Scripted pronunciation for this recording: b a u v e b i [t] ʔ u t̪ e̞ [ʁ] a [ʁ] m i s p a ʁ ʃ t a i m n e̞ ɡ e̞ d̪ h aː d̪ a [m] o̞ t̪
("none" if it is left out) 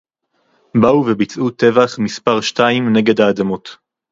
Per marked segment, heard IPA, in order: t͡s, v, χ, m

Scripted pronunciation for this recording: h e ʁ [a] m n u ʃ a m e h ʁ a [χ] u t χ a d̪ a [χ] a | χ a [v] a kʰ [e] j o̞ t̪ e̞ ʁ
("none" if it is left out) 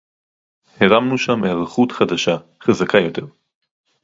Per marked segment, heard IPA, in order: a, χ, ʃ, z, a

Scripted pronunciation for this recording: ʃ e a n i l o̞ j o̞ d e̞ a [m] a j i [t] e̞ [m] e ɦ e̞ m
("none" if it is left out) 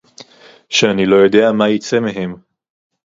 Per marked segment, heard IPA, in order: m, t͡s, m

